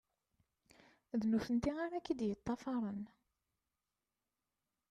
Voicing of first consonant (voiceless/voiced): voiced